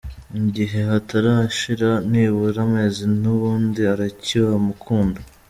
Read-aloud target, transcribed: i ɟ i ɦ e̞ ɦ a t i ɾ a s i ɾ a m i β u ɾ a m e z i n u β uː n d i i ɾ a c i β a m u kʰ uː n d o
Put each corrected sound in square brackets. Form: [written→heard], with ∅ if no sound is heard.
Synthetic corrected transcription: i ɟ i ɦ e̞ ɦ a t [i→a] ɾ a [s→ʃ] i ɾ a [m→n] i β u ɾ a m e z i n u β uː n d i [i→a] ɾ a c i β a m u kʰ uː n d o